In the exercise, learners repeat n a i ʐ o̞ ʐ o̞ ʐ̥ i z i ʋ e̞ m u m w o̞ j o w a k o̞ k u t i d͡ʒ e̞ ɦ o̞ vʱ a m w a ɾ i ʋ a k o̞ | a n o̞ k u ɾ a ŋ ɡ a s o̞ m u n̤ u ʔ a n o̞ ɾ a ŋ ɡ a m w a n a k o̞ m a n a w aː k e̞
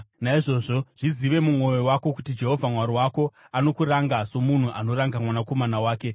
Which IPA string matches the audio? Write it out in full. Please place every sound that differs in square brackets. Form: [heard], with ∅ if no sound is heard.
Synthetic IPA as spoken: n a i ʐ o̞ ʐ o̞ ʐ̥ i z i ʋ e̞ m u m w o̞ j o w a k o̞ k u t i d͡ʒ e̞ ɦ o̞ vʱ a m w a ɾ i [w] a k o̞ | a n o̞ k u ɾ a ŋ ɡ a s o̞ m u n̤ u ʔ a n o̞ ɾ a ŋ ɡ a m w a n a k o̞ m a n a w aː k e̞